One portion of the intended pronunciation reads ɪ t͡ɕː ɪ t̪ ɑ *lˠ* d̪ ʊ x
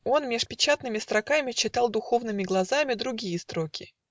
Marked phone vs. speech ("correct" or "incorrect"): correct